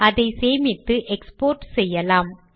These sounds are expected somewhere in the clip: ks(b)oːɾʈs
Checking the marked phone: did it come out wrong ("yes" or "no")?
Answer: yes